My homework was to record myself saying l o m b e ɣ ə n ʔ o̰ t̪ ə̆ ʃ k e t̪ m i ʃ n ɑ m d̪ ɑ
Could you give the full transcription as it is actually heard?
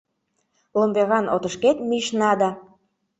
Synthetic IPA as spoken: l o m b e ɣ ɑ n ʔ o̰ t̪ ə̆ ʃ k e t̪ m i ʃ n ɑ d̪ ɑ